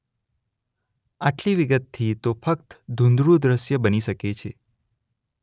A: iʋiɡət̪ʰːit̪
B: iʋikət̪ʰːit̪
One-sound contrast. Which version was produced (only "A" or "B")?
A